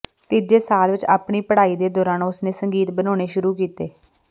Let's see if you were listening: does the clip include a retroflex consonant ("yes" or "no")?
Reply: yes